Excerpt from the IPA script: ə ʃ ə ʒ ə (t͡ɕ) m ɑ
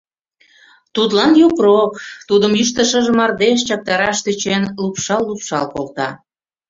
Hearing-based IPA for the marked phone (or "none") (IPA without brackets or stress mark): none